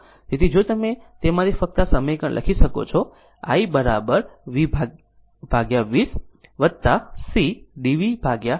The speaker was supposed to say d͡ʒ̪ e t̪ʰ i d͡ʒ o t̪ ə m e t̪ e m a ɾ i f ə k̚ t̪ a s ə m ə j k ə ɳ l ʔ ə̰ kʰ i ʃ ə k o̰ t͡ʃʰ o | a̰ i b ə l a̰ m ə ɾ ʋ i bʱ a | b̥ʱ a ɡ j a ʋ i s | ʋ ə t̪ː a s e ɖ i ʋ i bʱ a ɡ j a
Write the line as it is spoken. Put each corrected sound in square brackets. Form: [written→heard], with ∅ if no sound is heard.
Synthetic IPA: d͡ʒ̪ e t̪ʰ i d͡ʒ o t̪ ə m e t̪ e m a ɾ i f ə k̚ t̪ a s ə m ə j k ə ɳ l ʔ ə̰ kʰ i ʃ ə k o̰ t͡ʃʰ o | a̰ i b ə [l→ɾ] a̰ [m→b] ə ɾ ʋ i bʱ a | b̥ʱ a ɡ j a ʋ i s | ʋ ə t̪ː a s [e→i] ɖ i ʋ i bʱ a ɡ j a